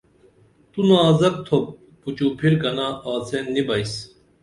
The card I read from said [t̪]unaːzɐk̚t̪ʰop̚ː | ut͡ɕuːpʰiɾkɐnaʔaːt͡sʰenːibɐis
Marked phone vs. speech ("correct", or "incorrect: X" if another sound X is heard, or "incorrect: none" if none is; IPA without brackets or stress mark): correct